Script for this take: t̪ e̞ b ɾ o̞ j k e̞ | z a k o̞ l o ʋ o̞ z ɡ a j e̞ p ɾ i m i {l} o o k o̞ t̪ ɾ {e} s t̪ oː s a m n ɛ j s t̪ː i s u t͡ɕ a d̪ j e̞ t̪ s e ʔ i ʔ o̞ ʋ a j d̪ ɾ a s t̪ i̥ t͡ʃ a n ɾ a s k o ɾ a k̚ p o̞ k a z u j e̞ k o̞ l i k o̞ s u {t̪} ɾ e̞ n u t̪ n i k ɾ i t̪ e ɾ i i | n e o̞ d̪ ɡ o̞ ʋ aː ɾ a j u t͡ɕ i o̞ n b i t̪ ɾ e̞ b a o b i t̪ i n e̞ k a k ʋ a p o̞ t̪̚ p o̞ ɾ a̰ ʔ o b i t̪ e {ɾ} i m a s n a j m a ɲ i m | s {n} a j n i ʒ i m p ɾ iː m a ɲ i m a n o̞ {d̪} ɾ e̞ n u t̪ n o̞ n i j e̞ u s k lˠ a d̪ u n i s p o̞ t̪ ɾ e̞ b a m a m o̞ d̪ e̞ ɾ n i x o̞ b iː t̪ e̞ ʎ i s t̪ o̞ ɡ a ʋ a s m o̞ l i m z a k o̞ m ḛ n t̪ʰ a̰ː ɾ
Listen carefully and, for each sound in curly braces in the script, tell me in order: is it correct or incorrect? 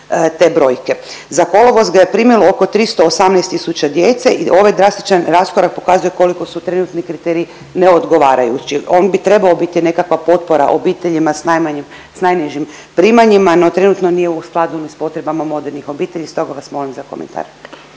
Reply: correct, incorrect: i, correct, incorrect: ʎ, correct, incorrect: t̪

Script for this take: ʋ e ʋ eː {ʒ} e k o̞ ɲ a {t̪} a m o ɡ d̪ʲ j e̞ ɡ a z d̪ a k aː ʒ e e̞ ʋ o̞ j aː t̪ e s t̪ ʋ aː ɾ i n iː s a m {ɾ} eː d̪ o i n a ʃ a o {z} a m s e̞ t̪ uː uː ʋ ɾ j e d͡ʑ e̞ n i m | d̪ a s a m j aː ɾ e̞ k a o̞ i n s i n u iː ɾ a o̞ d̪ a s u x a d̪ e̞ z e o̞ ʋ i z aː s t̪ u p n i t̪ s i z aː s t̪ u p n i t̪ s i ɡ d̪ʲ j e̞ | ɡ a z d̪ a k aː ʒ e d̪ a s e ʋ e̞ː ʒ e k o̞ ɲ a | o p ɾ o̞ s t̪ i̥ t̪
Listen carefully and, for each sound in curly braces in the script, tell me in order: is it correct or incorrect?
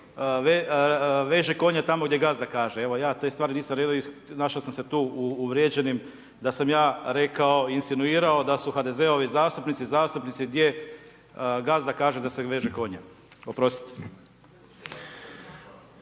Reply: correct, correct, correct, incorrect: s

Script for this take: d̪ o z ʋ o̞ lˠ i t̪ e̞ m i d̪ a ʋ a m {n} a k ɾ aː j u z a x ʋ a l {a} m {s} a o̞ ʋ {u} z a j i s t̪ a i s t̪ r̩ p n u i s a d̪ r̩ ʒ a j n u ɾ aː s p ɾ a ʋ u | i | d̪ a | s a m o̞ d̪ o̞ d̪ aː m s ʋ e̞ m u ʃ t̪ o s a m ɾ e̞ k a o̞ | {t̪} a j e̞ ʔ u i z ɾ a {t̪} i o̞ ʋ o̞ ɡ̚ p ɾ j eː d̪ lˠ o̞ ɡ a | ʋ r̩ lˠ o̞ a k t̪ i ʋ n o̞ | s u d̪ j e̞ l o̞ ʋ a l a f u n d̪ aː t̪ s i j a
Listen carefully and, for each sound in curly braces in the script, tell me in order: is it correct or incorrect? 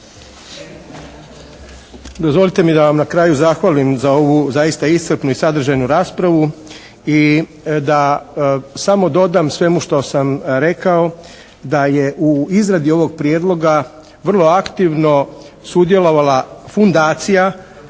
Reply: correct, incorrect: i, incorrect: z, correct, incorrect: d̪, incorrect: d̪

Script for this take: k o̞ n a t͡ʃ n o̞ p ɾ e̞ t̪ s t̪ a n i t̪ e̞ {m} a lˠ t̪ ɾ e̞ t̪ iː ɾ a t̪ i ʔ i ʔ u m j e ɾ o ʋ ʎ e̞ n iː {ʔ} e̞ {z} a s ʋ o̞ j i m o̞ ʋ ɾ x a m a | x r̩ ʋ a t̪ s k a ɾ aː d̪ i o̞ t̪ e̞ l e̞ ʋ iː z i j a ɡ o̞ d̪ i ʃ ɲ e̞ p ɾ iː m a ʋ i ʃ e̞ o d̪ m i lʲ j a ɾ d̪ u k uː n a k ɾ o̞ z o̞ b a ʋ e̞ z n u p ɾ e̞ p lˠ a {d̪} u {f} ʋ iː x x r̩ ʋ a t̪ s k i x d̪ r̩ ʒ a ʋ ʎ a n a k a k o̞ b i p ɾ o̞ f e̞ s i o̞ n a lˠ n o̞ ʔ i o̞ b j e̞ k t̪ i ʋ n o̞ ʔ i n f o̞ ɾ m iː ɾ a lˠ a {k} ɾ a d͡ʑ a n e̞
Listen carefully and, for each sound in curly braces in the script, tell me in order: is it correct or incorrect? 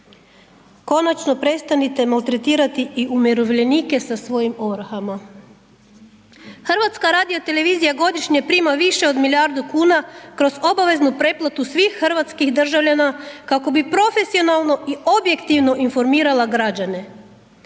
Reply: correct, incorrect: k, incorrect: s, incorrect: t̪, incorrect: s, incorrect: ɡ

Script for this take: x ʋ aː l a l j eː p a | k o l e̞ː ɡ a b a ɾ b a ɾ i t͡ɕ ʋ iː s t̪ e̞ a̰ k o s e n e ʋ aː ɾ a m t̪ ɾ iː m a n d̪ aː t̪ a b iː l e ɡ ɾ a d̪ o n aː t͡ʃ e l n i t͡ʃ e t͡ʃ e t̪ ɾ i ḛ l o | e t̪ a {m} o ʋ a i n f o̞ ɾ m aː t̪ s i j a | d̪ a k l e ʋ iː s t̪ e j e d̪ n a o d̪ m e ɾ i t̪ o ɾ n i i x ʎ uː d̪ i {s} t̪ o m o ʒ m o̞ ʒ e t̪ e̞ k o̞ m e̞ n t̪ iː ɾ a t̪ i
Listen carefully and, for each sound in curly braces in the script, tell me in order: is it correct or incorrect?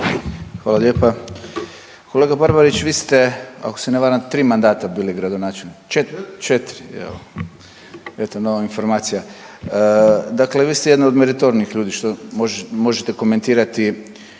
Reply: incorrect: n, incorrect: ʃ

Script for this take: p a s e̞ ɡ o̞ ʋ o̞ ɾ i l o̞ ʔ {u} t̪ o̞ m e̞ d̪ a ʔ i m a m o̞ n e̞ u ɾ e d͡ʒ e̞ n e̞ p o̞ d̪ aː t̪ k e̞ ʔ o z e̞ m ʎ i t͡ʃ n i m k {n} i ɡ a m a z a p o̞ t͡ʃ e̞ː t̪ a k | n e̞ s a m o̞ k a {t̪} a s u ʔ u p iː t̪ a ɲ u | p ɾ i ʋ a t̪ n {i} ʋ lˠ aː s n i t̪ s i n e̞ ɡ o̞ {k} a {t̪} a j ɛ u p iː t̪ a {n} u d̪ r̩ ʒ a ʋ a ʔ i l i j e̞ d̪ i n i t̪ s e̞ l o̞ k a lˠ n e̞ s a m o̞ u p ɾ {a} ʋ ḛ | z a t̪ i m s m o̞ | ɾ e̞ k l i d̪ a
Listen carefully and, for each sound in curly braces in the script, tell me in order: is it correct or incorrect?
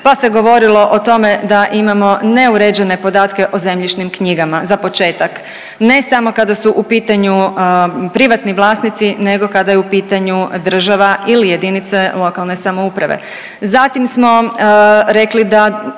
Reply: incorrect: o, incorrect: ɲ, incorrect: d̪, correct, correct, incorrect: d̪, incorrect: ɲ, correct

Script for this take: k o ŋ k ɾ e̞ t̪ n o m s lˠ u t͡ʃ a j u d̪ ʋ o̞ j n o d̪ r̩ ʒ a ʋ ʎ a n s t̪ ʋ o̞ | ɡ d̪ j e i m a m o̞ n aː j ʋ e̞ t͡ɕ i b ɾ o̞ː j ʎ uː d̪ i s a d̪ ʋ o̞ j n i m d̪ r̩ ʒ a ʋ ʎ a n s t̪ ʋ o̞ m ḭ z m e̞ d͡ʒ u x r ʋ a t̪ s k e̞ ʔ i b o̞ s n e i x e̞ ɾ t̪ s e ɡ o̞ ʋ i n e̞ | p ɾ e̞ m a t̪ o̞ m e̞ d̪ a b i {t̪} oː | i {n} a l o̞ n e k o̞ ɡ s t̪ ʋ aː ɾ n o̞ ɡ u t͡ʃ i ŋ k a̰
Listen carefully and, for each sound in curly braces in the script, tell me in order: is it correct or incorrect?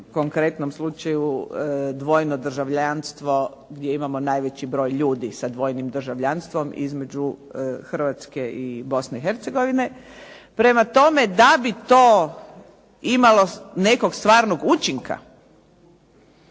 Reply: correct, incorrect: m

